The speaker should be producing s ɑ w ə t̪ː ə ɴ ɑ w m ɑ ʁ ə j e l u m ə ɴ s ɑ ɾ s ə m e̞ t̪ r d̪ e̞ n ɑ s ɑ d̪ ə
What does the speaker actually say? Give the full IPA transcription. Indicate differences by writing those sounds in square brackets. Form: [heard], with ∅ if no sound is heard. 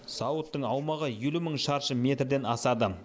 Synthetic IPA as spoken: s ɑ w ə t̪ː ə ɴ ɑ w m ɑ ʁ ə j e l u m ə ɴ [ʃ] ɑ ɾ [ʃ] ə m e̞ t̪ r d̪ e̞ n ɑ s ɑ d̪ ə